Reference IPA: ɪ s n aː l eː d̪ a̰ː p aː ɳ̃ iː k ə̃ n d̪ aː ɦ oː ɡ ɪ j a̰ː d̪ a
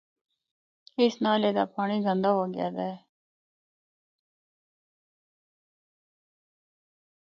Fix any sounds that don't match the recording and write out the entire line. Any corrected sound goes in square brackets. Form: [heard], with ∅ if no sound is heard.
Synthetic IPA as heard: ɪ s n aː l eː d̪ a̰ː p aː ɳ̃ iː [ɡ] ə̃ n d̪ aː ɦ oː ɡ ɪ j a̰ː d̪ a